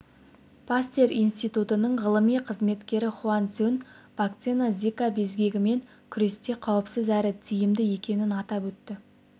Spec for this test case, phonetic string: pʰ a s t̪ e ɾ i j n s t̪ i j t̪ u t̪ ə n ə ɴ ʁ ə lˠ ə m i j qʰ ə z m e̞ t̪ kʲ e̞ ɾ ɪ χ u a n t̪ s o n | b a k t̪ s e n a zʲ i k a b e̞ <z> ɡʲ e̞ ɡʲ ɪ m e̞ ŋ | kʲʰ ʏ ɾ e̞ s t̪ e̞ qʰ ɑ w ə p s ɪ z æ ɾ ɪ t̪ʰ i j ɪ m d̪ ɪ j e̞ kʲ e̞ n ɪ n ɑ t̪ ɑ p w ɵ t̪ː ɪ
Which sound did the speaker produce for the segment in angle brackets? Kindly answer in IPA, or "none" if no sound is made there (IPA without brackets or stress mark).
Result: z